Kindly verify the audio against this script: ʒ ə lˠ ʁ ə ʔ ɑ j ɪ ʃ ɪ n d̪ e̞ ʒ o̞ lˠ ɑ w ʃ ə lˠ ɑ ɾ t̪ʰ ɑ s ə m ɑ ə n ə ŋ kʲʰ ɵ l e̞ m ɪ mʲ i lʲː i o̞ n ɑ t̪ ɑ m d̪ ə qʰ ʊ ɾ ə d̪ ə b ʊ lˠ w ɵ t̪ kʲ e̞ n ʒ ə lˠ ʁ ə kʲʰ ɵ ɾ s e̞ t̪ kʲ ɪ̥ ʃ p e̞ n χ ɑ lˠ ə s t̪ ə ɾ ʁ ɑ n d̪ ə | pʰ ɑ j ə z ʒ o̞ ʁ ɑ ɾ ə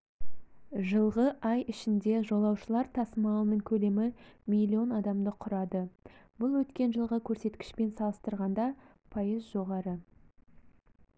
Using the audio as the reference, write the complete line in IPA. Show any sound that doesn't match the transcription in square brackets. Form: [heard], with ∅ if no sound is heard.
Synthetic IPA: ʒ ə lˠ ʁ ə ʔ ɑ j ɪ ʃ ɪ n d̪ e̞ ʒ o̞ lˠ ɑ w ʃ ə lˠ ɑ ɾ t̪ʰ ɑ s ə m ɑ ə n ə ŋ kʲʰ ɵ l e̞ m ɪ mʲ i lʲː i o̞ n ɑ [d̪] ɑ m d̪ ə qʰ ʊ ɾ [ɑ] d̪ ə b ʊ lˠ w ɵ t̪ kʲ e̞ n ʒ ə lˠ ʁ ə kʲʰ ɵ ɾ s e̞ t̪ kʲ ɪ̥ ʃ p e̞ n [s] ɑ lˠ ə s t̪ ə ɾ ʁ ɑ n d̪ [ɑ] | pʰ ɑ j ə z ʒ o̞ ʁ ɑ ɾ ə

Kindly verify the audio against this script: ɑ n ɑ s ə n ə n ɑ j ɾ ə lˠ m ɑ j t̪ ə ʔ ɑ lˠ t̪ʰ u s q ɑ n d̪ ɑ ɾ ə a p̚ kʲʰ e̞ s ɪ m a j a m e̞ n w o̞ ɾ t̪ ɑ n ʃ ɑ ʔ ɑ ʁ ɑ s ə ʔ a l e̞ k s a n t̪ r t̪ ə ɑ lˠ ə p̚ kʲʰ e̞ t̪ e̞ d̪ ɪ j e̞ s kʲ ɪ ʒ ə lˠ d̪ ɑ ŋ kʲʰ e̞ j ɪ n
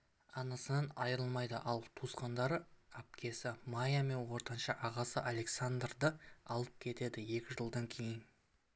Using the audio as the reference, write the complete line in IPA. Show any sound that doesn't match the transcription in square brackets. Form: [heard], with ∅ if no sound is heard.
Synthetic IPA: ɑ n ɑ s ə n [ɑ] n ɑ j ɾ ə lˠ m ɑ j [d̪] ə ʔ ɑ lˠ t̪ʰ u s q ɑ n d̪ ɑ ɾ ə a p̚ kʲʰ e̞ s ɪ m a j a m e̞ n w o̞ ɾ t̪ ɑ n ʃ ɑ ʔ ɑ ʁ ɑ s ə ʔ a l e̞ k s a n [d̪] r [d̪] ə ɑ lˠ ə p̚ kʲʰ e̞ t̪ e̞ d̪ ɪ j e̞ [∅] kʲ ɪ ʒ ə lˠ d̪ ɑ ŋ kʲʰ e̞ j ɪ n

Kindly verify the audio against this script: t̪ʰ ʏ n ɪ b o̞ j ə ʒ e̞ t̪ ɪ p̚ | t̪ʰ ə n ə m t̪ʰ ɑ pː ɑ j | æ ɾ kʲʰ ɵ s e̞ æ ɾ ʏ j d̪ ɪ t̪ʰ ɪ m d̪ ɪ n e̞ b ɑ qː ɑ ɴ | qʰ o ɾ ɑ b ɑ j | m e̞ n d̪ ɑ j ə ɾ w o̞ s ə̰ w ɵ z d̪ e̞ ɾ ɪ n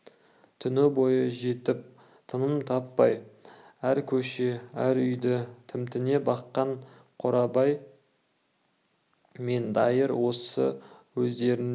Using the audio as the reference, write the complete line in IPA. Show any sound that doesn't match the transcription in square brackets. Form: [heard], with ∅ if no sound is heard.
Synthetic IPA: t̪ʰ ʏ n ɪ b o̞ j ə ʒ e̞ t̪ ɪ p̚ | t̪ʰ ə n ə m t̪ʰ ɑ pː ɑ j | æ ɾ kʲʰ ɵ [ʃ] e̞ æ ɾ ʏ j d̪ ɪ t̪ʰ ɪ m [t̪] ɪ n e̞ b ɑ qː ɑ ɴ | qʰ o ɾ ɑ b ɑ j | m e̞ n d̪ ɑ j ə ɾ w o̞ s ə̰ w ɵ z d̪ e̞ ɾ ɪ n

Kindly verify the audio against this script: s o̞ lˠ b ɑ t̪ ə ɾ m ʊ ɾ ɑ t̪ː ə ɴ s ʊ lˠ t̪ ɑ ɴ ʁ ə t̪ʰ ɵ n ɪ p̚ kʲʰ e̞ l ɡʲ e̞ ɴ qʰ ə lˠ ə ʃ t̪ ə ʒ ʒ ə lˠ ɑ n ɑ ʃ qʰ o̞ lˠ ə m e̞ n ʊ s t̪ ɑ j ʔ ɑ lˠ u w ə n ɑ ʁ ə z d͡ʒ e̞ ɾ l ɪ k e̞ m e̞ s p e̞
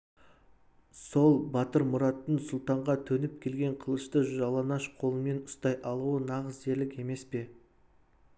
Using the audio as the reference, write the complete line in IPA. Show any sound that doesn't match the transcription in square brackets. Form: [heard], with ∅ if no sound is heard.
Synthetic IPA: s o̞ lˠ b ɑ t̪ ə ɾ m ʊ ɾ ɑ t̪ː ə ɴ s ʊ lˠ t̪ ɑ ɴ ʁ [ɑ] t̪ʰ ɵ n ɪ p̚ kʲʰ e̞ l ɡʲ e̞ ɴ qʰ ə lˠ ə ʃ t̪ ə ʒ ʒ [ɑ] lˠ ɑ n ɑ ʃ qʰ o̞ lˠ ə m e̞ n ʊ s t̪ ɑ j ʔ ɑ lˠ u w ə n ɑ ʁ ə z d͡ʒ e̞ ɾ l ɪ k e̞ m e̞ s p e̞

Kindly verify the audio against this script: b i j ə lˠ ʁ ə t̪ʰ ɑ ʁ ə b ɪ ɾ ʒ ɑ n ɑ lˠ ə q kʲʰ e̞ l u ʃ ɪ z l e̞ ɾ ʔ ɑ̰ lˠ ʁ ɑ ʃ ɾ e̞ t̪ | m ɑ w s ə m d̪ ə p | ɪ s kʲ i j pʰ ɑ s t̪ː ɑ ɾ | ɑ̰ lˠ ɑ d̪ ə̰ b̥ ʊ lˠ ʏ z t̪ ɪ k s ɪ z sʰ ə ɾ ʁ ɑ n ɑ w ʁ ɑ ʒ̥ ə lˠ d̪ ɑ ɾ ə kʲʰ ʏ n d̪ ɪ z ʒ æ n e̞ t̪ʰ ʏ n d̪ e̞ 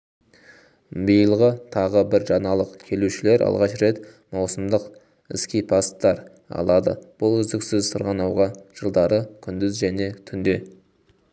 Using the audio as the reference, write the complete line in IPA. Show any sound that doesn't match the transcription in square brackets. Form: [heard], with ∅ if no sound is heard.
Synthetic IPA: b i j ə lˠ ʁ ə t̪ʰ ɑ ʁ ə b ɪ ɾ ʒ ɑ n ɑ lˠ ə q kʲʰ e̞ l u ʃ ɪ [∅] l e̞ ɾ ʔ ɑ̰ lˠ ʁ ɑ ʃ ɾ e̞ t̪ | m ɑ w s ə m d̪ ə [q] | ɪ s kʲ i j pʰ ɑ s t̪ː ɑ ɾ | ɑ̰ lˠ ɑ d̪ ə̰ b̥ ʊ lˠ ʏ z [d̪] ɪ k s ɪ z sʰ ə ɾ ʁ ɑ n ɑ w ʁ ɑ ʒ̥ ə lˠ d̪ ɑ ɾ ə kʲʰ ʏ n d̪ ɪ z ʒ æ n e̞ t̪ʰ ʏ n d̪ e̞

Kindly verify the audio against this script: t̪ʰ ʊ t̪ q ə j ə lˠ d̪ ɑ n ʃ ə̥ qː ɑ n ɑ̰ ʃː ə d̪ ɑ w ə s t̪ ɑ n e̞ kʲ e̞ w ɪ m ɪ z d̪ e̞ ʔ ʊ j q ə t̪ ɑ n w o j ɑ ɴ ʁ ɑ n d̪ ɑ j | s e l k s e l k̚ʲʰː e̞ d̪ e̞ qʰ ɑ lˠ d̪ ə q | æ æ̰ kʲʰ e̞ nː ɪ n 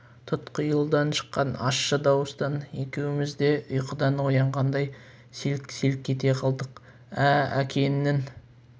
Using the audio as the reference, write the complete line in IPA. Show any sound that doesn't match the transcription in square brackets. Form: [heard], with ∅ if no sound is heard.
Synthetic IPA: t̪ʰ ʊ t̪ q ə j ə lˠ d̪ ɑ n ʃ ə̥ qː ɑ n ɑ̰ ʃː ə d̪ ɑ w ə s t̪ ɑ n e̞ kʲ e̞ w ɪ m ɪ z d̪ e̞ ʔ ʊ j q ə [d̪] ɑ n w o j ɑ ɴ ʁ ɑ n d̪ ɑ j | s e l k s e l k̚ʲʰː e̞ [t̪] e̞ qʰ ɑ lˠ d̪ ə q | æ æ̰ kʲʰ e̞ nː ɪ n

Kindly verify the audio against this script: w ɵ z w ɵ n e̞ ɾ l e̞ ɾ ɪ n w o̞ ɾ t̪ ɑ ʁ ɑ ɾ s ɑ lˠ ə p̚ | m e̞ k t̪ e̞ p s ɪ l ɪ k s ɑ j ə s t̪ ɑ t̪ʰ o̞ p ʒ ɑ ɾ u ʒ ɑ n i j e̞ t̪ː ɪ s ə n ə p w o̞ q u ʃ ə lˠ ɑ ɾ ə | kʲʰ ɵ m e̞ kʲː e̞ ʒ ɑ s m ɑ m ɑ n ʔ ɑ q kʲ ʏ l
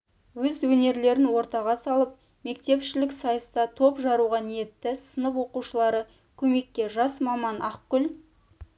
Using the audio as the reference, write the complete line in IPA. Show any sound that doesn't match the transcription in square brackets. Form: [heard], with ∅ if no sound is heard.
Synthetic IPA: w ɵ z w ɵ n e̞ ɾ l e̞ ɾ ɪ n w o̞ ɾ t̪ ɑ ʁ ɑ [∅] s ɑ lˠ ə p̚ | m e̞ k t̪ e̞ p [ʃ] ɪ l ɪ k s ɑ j ə s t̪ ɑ t̪ʰ o̞ p ʒ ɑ ɾ u [ʁ] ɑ n i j e̞ t̪ː ɪ s ə n ə p w o̞ q u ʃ ə lˠ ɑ ɾ ə | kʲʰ ɵ m e̞ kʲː e̞ ʒ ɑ s m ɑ m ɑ n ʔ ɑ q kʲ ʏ l

